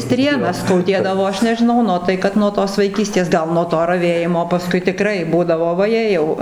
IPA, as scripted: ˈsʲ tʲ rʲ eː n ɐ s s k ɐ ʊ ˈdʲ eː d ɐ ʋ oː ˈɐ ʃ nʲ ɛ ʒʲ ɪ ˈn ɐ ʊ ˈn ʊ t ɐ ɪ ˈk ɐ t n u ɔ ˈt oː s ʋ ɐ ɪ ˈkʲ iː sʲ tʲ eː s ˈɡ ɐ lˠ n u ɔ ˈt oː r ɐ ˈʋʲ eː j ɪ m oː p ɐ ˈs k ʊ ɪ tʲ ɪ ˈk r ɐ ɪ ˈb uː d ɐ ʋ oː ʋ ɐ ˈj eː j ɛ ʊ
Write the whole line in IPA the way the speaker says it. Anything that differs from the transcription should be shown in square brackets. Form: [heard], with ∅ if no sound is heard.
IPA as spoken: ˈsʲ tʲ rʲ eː n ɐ s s k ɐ ʊ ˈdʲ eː d ɐ ʋ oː ˈɐ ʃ nʲ ɛ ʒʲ ɪ ˈn ɐ ʊ ˈn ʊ t ɐ ɪ ˈk ɐ t n u ɔ ˈt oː s ʋ ɐ ɪ ˈkʲ iː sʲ tʲ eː s ˈɡ ɐ lˠ n u ɔ ˈt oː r ɐ ˈʋʲ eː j ɪ m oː p ɐ ˈs k ʊ ɪ tʲ ɪ ˈk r ɐ ɪ ˈb uː d ɐ ʋ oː ʋ ɐ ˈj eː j ɛ ʊ